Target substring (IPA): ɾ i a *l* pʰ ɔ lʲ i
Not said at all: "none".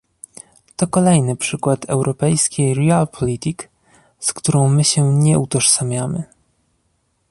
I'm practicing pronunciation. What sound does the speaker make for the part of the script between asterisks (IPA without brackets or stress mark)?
l